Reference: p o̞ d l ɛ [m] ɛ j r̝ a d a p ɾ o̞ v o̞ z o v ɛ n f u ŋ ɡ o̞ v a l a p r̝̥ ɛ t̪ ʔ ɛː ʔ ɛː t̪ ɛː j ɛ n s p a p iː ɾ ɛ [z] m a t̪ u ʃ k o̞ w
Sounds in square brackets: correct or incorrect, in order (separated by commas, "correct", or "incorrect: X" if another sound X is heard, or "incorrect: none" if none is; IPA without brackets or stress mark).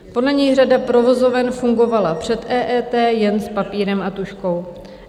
incorrect: ɲ, incorrect: none